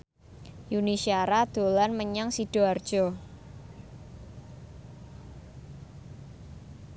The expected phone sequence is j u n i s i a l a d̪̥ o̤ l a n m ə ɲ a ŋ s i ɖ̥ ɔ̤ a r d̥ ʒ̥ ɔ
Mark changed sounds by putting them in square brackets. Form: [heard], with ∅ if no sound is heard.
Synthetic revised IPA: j u n i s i a [ɾ] a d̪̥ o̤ l a n m ə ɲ a ŋ s i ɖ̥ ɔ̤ a r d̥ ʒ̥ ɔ